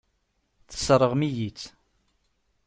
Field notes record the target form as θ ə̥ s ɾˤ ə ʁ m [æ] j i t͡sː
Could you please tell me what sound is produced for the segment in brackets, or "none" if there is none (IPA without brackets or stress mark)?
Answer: i